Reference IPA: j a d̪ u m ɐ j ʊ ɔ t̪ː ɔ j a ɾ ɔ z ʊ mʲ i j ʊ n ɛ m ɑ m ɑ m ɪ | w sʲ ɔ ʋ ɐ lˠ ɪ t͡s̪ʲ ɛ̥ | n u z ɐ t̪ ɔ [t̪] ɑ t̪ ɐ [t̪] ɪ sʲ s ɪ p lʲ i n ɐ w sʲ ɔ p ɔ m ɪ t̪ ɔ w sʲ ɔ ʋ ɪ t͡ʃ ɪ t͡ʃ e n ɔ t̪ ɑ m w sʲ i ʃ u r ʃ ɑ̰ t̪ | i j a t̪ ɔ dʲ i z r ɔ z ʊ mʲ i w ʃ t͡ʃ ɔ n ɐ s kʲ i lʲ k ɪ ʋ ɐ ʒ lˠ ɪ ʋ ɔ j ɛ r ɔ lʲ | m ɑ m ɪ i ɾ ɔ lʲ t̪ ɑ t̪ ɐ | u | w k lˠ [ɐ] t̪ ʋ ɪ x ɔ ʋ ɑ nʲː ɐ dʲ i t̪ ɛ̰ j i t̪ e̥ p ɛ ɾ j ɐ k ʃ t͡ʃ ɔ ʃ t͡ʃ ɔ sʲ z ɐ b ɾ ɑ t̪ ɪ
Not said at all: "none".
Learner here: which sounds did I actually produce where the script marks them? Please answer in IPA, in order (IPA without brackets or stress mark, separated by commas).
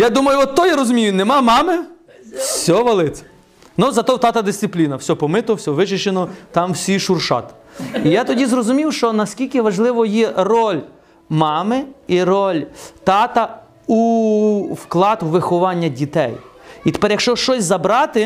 t̪, d̪, ɑ